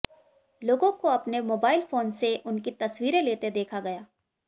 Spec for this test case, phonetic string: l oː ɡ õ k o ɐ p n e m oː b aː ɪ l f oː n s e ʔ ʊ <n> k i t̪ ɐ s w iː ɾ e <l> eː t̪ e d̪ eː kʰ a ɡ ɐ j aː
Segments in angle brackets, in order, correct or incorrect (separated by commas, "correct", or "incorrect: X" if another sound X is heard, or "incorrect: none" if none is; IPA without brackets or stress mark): correct, correct